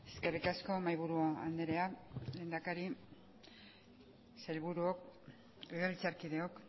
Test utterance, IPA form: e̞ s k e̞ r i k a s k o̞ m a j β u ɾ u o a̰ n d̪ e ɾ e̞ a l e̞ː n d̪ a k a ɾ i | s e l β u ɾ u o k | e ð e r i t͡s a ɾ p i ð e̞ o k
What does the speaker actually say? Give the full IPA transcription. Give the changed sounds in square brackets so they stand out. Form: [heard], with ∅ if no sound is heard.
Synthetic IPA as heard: e̞ s k e̞ r i k a s k o̞ m a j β u ɾ u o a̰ n d̪ e ɾ e̞ a l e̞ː n d̪ a k a ɾ i | s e l β u ɾ u o k | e [ɣ] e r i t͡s a ɾ [k] i ð e̞ o k